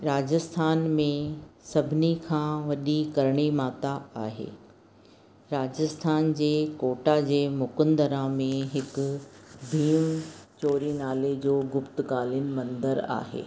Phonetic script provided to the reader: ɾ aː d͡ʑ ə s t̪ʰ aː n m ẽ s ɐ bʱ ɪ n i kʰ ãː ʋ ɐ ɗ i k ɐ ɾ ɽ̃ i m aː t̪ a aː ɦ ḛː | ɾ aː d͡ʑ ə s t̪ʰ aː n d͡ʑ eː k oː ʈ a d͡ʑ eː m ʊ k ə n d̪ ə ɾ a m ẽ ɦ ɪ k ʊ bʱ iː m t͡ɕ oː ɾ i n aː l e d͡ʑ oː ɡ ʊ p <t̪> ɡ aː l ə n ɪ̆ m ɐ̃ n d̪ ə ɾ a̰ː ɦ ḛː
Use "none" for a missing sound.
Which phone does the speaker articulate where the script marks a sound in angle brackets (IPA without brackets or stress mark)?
t̪